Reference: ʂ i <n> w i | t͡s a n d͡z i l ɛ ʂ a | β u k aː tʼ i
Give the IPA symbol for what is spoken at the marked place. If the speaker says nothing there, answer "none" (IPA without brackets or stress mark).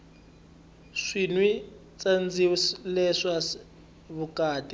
n